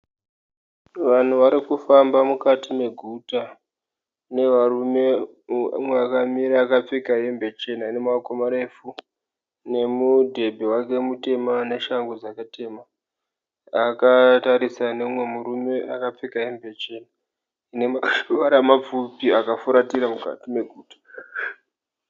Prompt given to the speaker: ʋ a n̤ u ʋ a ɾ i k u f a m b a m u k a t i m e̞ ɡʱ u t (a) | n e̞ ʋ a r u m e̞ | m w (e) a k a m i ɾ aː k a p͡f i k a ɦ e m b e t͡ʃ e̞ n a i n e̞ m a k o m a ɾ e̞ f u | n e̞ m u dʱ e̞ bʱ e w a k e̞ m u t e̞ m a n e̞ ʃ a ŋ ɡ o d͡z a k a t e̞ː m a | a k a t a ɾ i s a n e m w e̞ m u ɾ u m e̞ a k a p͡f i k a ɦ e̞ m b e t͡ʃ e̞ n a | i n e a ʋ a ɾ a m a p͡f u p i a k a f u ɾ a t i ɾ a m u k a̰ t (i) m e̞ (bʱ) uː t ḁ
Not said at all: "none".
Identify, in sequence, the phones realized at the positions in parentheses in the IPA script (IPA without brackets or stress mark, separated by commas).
a, e, i, ɡʱ